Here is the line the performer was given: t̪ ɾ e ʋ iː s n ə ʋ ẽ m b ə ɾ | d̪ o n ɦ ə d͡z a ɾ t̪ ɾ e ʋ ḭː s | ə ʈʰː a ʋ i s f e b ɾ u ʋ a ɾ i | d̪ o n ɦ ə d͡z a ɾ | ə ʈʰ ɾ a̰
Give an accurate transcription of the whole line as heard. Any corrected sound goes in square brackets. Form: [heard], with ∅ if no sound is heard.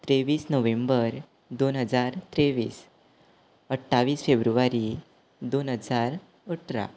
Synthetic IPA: t̪ ɾ e ʋ iː s n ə ʋ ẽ m b ə ɾ | d̪ o n ɦ ə d͡z a ɾ t̪ ɾ e ʋ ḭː s | ə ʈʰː a ʋ [iː] s f e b ɾ u ʋ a ɾ i | d̪ o n ɦ ə d͡z a ɾ | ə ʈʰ ɾ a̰